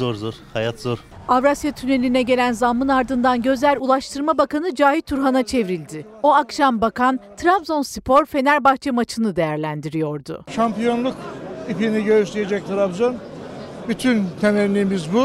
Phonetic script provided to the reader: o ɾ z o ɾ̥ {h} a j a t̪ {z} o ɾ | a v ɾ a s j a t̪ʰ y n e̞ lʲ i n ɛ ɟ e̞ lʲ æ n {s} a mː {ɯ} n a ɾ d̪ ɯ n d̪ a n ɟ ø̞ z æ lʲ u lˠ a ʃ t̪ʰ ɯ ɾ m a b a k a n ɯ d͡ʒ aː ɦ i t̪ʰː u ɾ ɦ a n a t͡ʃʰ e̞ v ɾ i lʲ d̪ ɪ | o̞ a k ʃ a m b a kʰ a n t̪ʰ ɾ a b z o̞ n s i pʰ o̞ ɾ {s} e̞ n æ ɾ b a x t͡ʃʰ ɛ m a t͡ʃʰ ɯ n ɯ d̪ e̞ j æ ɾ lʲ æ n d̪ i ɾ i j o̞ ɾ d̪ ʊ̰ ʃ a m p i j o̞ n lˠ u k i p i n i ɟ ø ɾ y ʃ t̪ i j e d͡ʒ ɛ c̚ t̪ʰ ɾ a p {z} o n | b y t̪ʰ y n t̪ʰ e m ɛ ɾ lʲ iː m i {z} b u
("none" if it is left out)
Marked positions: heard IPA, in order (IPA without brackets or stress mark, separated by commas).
h, z, z, ɯ, f, z, z